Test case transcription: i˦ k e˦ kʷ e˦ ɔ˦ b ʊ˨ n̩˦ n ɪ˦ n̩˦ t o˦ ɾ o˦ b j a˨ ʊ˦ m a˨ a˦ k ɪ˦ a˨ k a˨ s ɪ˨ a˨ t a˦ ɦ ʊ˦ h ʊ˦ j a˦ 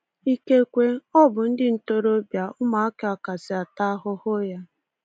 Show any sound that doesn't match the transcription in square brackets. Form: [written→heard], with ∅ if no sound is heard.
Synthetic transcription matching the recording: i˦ k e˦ kʷ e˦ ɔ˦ b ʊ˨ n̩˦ [n→d] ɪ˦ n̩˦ t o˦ ɾ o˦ b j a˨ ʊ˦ m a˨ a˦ k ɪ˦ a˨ k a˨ s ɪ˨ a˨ t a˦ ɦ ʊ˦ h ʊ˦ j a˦